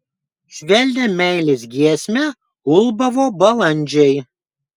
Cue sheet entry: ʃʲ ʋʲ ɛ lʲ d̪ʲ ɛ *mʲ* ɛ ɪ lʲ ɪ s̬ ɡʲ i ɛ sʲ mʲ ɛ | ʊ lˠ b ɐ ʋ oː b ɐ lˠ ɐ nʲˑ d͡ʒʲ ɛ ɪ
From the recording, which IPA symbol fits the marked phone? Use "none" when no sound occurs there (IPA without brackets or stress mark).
mʲ